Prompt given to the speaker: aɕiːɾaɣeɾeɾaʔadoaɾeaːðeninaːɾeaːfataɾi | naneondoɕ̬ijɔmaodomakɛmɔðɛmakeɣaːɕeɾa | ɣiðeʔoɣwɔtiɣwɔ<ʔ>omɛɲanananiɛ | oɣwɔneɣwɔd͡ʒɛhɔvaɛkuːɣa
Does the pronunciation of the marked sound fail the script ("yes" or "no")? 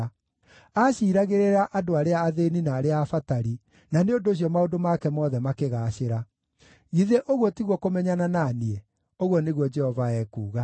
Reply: yes